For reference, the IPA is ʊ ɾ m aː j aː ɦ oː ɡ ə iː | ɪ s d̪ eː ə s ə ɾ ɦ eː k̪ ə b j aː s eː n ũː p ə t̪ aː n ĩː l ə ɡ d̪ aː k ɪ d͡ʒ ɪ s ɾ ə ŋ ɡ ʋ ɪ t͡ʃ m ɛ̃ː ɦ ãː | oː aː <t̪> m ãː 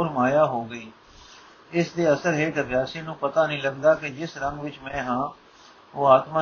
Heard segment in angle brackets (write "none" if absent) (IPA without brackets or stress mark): t̪